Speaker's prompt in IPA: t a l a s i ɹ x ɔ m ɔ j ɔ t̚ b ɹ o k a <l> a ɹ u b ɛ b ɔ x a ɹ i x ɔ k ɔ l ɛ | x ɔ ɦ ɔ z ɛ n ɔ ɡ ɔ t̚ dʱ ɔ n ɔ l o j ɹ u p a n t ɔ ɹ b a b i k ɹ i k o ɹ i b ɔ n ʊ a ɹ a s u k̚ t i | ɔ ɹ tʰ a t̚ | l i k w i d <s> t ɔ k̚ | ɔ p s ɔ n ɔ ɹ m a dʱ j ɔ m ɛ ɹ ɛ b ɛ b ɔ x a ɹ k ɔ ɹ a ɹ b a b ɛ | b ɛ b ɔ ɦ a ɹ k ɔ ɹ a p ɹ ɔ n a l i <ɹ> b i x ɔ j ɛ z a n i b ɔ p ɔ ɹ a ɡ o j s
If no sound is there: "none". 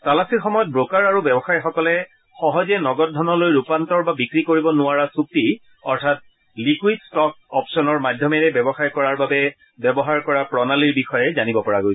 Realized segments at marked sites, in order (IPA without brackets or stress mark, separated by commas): ɹ, s, ɹ